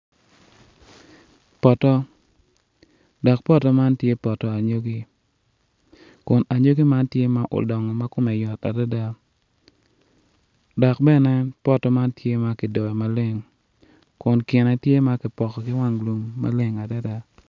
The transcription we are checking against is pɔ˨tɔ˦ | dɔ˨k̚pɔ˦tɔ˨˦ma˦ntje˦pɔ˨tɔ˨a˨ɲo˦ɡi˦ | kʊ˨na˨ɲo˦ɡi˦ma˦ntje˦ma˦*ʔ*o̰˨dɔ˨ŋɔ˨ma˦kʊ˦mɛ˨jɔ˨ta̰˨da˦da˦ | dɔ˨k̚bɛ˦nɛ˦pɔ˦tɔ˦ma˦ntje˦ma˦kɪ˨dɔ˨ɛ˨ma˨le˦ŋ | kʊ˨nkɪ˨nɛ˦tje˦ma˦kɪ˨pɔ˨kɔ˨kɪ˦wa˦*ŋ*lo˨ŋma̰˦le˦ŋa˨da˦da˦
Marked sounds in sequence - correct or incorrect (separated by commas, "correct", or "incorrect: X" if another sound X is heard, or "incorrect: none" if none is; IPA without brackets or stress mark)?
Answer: correct, correct